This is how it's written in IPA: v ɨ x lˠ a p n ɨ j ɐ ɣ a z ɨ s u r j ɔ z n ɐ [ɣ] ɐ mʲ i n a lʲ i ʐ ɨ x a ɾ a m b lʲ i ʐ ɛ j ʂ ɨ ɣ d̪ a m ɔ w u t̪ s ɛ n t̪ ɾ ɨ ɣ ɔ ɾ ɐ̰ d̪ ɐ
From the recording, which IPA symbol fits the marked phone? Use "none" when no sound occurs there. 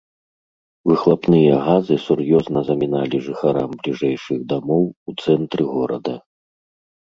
z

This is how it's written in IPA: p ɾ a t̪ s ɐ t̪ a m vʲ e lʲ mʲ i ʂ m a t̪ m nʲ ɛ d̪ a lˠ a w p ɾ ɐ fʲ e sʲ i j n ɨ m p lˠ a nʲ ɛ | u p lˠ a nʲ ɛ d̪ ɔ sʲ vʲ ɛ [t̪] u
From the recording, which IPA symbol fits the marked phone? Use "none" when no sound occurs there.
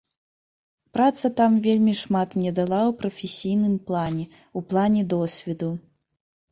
d̪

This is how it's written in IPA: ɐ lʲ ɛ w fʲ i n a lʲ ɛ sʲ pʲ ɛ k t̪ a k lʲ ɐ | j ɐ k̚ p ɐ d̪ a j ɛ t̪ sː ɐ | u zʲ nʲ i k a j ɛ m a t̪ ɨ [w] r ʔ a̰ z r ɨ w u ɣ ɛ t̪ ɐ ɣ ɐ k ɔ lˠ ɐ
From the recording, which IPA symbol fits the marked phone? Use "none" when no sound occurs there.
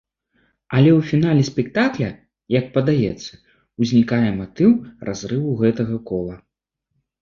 w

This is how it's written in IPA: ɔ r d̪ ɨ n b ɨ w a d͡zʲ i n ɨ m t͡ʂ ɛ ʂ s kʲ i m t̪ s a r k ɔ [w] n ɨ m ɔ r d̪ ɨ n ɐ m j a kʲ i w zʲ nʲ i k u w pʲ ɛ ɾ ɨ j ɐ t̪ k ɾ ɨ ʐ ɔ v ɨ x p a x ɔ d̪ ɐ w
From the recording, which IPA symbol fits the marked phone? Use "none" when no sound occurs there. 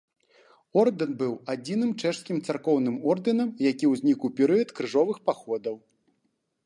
w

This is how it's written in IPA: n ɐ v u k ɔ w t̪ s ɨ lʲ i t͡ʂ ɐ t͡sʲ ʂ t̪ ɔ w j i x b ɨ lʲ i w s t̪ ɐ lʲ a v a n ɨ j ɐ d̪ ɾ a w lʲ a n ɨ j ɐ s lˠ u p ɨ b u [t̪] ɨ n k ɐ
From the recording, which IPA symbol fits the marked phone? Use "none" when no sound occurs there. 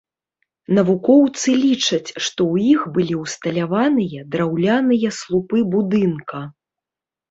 d̪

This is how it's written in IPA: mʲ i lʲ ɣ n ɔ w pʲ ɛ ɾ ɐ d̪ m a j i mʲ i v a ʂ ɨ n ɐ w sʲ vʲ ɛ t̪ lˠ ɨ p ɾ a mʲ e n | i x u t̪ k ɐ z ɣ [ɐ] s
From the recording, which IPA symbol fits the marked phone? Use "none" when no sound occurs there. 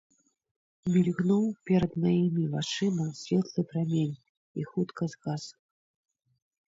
a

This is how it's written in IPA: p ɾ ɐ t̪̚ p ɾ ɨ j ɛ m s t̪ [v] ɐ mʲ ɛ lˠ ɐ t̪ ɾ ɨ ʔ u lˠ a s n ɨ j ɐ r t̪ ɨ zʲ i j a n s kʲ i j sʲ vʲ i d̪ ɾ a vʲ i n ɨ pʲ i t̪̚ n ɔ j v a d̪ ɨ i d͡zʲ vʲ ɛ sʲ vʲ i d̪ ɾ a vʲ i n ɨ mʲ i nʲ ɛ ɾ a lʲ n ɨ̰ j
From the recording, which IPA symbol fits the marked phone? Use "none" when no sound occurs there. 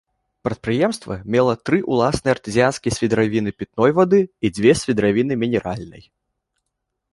v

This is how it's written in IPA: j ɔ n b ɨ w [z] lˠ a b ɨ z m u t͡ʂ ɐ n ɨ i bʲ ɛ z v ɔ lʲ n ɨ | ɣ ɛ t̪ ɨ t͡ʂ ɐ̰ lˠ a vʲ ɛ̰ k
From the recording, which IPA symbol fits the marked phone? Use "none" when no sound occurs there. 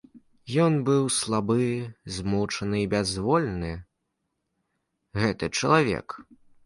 s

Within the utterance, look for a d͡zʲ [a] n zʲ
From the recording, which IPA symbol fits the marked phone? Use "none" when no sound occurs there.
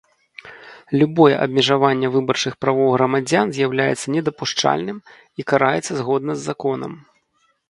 a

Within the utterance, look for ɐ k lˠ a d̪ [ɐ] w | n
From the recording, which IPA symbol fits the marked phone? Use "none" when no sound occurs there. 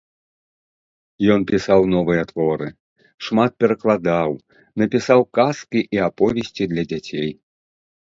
a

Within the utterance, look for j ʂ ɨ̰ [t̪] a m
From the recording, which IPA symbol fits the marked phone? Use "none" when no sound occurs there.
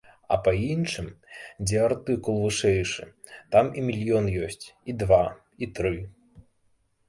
t̪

